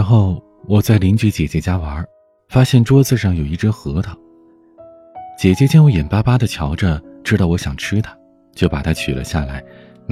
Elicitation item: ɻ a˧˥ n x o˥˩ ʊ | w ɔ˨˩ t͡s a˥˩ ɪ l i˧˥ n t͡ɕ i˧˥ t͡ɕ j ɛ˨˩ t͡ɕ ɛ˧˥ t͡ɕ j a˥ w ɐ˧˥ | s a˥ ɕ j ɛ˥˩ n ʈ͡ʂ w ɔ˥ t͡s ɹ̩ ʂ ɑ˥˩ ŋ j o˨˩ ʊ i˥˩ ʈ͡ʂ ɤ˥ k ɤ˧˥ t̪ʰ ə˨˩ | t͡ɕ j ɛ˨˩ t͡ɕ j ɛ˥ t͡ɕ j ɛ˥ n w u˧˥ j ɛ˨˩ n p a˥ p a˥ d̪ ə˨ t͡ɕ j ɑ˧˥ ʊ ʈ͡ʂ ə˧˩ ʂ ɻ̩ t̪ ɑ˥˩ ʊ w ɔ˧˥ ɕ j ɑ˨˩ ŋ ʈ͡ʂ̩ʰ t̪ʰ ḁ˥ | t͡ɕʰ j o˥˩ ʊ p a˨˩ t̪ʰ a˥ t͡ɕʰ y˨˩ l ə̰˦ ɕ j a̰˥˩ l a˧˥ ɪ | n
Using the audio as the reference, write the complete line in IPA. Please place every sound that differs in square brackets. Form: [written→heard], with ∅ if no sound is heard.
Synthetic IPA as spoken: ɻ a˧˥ n x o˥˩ ʊ | w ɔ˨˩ t͡s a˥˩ ɪ l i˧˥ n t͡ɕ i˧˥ t͡ɕ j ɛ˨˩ t͡ɕ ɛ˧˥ t͡ɕ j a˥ w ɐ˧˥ | [s→f] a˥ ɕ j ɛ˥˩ n ʈ͡ʂ w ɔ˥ t͡s ɹ̩ ʂ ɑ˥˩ ŋ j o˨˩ ʊ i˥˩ ʈ͡ʂ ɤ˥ [k→x] ɤ˧˥ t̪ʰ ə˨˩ | t͡ɕ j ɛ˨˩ t͡ɕ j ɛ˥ t͡ɕ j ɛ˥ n w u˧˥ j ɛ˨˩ n p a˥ p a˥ d̪ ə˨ [t͡ɕ→t͡ɕʰ] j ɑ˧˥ ʊ ʈ͡ʂ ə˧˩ [ʂ→ʈ͡ʂ] ɻ̩ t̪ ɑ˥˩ ʊ w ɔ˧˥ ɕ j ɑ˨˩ ŋ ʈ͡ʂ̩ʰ t̪ʰ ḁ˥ | [t͡ɕʰ→t͡ɕ] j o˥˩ ʊ p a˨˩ t̪ʰ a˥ t͡ɕʰ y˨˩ l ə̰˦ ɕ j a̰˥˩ l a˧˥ ɪ | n